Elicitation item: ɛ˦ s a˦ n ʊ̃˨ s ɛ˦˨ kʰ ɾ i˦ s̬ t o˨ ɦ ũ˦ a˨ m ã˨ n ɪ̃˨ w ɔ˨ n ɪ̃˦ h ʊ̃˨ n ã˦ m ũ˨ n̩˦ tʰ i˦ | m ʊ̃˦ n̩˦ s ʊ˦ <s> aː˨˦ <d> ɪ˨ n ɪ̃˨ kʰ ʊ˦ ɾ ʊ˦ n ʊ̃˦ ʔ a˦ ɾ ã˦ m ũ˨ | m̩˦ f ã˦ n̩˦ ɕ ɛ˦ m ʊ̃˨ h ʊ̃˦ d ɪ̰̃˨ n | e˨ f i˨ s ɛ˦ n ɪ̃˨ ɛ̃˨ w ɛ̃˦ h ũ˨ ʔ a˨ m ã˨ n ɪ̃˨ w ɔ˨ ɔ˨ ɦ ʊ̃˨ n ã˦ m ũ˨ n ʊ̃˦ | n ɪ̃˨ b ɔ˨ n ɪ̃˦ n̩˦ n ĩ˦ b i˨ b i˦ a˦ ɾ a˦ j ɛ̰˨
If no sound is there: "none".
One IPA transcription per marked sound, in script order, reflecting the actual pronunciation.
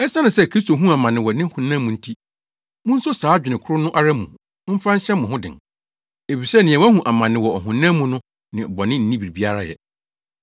s, d͡ʑᶣ

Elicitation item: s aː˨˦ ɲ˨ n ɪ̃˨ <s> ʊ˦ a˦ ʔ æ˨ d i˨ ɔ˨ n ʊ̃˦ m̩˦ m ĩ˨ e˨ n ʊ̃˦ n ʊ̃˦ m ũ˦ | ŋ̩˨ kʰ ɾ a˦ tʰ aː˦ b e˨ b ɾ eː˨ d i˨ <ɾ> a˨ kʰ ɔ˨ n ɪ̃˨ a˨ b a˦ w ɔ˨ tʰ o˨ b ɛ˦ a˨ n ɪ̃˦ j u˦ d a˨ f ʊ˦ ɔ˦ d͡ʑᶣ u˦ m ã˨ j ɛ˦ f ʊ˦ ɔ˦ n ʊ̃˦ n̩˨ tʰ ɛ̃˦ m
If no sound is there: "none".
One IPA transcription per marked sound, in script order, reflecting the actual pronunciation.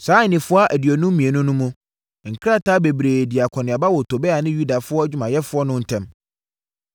f, none

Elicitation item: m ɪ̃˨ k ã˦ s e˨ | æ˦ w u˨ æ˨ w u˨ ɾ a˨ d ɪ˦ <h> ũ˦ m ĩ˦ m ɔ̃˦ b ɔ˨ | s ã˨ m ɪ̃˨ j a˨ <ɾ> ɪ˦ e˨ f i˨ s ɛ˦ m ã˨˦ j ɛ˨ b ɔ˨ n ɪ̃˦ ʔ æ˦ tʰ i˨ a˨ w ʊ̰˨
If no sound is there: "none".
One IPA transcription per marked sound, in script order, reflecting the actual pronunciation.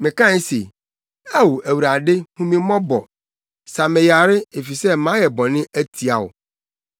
h, ɾ

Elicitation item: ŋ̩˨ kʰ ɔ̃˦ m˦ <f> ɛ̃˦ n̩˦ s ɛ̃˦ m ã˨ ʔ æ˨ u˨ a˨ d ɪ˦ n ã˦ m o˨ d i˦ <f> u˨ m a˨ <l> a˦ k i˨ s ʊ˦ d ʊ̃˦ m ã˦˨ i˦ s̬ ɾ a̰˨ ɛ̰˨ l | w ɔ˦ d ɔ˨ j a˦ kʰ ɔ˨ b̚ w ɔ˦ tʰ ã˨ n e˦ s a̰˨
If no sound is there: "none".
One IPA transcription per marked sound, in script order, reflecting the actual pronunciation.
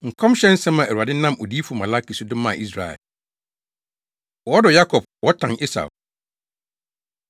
ɕ, f, l

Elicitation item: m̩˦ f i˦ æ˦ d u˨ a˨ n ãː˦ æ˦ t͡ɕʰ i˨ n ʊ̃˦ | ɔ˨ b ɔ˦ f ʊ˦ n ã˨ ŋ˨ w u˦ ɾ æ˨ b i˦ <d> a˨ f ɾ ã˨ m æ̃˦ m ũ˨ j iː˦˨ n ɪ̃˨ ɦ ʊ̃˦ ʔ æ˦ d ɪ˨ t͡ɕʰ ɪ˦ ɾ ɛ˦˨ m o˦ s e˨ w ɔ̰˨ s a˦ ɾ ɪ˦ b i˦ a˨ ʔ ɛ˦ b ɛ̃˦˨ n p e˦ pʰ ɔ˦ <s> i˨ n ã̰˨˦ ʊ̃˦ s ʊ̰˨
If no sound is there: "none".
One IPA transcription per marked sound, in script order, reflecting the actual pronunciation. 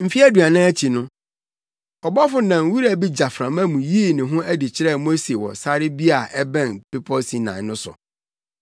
d͡ʑ, s

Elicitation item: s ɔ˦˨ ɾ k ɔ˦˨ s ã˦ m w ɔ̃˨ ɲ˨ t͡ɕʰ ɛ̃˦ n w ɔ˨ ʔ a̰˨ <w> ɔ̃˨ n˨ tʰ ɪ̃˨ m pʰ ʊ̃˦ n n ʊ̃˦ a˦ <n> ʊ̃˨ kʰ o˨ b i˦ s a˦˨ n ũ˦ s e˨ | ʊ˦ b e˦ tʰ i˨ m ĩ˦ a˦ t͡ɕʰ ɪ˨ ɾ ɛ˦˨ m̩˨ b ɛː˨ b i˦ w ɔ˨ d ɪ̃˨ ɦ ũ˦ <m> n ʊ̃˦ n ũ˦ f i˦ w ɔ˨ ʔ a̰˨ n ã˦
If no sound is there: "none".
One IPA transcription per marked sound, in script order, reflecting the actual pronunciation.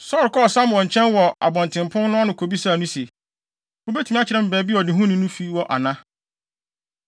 b, n, none

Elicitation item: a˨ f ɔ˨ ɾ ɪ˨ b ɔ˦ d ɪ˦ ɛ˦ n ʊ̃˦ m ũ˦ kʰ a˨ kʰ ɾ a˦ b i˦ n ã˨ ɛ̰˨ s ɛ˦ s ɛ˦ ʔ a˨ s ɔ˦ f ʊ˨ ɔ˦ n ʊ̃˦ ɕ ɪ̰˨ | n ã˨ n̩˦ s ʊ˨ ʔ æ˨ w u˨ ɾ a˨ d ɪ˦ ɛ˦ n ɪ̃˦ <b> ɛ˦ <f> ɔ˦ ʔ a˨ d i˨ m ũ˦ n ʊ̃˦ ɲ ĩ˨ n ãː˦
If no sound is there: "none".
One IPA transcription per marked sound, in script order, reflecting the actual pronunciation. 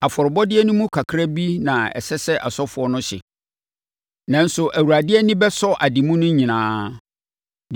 b, s

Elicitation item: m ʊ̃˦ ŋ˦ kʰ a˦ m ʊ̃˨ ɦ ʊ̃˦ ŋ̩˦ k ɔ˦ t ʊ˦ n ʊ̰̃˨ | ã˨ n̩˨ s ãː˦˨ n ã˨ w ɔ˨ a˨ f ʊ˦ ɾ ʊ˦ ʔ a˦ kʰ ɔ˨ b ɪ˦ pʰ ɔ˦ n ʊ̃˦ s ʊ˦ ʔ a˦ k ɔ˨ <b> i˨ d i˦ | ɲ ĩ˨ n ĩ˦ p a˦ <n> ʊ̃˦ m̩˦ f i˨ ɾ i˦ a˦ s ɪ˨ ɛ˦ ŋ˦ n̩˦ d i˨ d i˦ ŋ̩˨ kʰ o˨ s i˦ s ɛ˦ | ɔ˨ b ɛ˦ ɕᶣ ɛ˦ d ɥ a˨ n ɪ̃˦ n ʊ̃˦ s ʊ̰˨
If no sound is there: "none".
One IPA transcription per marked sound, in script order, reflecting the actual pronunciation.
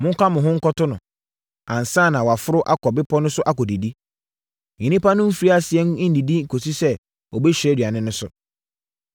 d, n

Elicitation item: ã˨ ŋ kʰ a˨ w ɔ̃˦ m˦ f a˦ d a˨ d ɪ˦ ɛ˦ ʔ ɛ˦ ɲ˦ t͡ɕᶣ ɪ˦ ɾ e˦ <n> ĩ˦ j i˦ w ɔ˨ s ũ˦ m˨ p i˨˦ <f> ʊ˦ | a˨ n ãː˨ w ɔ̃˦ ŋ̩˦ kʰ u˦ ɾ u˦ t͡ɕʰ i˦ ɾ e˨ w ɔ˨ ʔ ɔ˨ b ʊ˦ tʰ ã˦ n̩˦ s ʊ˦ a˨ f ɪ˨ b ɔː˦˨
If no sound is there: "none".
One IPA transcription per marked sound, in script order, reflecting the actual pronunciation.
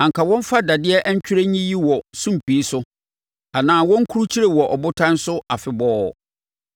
ɲ, s

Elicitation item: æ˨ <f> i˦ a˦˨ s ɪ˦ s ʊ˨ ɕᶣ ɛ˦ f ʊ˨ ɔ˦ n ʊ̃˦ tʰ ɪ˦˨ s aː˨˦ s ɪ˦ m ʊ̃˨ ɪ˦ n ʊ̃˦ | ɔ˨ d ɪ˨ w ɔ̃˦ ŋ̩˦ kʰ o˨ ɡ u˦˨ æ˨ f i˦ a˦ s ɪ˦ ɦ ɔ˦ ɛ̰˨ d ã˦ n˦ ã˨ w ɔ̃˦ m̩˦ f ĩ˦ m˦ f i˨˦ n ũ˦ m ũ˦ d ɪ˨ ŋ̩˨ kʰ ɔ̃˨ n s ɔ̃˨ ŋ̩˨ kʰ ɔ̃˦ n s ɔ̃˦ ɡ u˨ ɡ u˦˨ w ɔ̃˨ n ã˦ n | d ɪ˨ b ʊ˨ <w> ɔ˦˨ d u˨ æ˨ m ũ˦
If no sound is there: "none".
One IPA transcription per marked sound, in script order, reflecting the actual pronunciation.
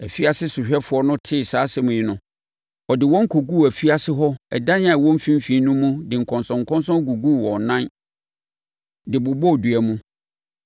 f, b

